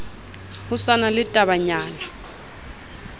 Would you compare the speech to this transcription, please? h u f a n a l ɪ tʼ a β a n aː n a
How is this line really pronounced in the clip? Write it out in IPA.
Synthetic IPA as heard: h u s a n a l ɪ tʼ a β a ɲ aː n a